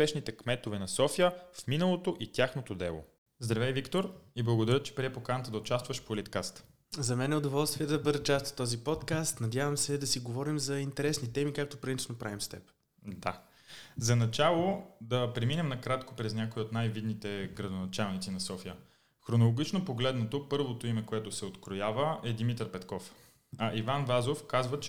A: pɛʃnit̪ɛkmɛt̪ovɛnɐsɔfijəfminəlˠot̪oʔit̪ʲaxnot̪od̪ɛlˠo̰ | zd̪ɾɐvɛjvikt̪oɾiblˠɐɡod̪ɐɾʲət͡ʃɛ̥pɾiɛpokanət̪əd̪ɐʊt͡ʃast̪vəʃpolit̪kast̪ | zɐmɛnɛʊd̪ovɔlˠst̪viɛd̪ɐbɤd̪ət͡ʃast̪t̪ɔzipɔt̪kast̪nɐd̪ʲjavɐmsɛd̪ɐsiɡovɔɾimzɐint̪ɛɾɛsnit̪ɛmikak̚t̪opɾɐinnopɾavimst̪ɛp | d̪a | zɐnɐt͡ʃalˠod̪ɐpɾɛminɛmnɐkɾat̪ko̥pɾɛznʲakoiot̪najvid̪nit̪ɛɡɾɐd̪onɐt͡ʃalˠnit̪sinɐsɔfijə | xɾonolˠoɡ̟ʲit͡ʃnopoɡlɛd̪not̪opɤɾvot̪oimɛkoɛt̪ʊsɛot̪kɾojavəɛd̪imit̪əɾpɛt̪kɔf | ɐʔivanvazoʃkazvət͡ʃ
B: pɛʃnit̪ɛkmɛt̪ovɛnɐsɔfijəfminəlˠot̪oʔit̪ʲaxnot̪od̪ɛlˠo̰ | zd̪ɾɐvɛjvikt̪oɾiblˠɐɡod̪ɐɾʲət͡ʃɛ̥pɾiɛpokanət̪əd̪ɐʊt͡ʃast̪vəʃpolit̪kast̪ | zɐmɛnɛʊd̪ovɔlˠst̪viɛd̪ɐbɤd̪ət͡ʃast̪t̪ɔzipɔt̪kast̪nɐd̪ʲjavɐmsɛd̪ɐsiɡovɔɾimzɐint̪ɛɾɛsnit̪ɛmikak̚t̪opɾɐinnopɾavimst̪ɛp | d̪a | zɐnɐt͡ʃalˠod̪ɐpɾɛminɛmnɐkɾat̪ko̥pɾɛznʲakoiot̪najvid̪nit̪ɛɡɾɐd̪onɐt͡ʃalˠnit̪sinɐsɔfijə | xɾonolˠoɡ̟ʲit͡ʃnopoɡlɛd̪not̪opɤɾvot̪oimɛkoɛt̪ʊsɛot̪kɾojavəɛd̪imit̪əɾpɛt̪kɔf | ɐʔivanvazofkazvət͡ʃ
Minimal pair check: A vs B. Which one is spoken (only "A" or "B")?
B